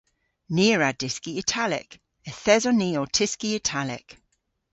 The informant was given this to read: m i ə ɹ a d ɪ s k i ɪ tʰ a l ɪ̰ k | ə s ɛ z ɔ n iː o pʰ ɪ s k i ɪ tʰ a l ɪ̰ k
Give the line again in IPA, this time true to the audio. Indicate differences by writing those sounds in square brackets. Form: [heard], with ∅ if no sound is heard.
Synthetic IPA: [n] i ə ɹ a d ɪ s k i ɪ tʰ a l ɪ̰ k | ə [θ] ɛ z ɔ n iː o [tʰ] ɪ s k i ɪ tʰ a l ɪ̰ k